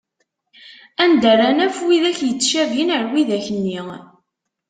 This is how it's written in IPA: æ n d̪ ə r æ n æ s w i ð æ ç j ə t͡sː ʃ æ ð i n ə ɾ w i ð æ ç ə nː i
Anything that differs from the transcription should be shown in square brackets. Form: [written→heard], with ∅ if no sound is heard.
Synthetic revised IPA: æ n d̪ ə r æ n æ [s→f] w i ð æ ç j ə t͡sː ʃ æ [ð→v] i n ə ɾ w i ð æ ç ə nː i